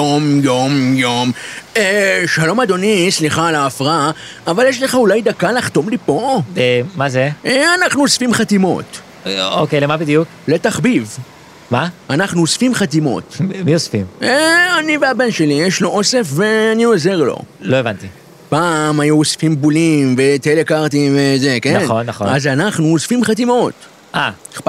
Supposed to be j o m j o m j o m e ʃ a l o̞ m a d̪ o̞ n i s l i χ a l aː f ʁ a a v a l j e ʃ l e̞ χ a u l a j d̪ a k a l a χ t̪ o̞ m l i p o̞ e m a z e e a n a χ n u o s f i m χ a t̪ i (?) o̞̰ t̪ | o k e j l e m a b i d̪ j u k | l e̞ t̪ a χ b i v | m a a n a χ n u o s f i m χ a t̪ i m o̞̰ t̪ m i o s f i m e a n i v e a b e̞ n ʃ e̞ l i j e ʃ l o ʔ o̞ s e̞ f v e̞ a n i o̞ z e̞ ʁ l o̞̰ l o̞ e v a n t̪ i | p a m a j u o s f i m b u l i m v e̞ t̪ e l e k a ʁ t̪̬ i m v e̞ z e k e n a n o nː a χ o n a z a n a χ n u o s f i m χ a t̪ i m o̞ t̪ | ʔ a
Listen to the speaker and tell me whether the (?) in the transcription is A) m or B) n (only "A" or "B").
A